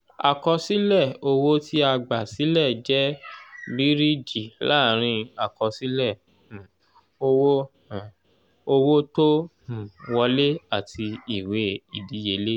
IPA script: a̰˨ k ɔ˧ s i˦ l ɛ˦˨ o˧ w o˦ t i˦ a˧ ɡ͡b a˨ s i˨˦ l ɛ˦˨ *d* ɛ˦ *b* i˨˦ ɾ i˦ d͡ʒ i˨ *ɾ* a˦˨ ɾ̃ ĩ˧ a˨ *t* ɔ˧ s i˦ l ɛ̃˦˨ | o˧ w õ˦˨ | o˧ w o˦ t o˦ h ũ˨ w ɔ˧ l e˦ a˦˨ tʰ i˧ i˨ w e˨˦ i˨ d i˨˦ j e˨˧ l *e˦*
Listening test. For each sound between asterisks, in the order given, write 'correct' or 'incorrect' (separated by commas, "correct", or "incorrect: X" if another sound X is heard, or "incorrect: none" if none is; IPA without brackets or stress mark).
incorrect: d͡ʒ, correct, incorrect: l, incorrect: k, correct